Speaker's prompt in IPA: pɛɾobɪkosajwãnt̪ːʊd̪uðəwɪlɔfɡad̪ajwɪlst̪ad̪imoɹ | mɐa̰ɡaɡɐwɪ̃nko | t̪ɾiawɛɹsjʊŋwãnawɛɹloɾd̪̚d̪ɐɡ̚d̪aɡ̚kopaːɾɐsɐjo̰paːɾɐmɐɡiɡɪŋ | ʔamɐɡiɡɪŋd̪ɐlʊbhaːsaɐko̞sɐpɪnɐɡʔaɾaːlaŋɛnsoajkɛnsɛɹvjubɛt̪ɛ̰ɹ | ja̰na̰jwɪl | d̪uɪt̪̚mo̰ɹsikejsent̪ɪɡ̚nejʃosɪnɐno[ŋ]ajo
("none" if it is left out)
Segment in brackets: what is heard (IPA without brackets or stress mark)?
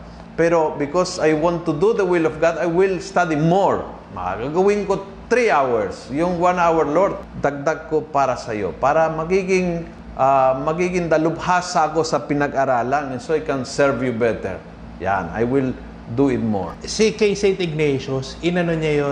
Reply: ɲ